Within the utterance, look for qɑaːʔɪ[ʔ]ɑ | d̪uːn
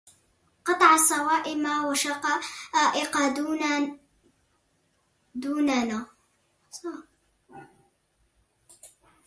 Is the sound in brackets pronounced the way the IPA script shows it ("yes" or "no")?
no